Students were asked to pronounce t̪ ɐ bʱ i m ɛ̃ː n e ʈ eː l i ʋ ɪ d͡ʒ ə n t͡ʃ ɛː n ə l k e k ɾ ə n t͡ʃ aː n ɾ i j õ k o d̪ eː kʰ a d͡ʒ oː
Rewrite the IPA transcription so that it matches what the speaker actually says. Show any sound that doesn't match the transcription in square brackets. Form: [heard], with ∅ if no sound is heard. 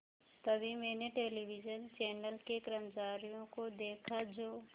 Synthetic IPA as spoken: t̪ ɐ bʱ i m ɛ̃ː n e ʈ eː l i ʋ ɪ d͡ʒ ə n t͡ʃ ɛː n ə l k e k ɾ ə [m] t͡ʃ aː [∅] ɾ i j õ k o d̪ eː kʰ a d͡ʒ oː